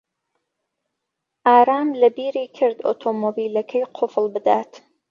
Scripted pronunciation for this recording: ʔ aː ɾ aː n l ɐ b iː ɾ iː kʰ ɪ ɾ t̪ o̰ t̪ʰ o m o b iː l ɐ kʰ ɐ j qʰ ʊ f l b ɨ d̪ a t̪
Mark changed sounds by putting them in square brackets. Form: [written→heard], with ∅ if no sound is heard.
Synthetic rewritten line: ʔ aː ɾ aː [n→m] l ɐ b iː ɾ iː kʰ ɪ ɾ [t̪→d̪] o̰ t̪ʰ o m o b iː l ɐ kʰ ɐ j qʰ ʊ f l b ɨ d̪ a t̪